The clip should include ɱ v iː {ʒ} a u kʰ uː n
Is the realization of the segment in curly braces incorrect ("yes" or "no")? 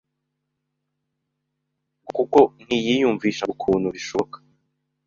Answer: yes